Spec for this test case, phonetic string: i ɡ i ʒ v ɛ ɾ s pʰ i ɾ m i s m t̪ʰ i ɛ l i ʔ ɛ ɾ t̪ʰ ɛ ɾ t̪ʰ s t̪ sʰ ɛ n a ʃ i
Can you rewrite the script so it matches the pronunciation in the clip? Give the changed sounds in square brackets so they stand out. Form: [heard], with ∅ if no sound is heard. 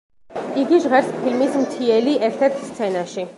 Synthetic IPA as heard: i ɡ i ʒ [ʁ] ɛ ɾ s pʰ i [l] m i s m t̪ʰ i ɛ l i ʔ ɛ ɾ t̪ʰ ɛ ɾ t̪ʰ s t̪ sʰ ɛ n a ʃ i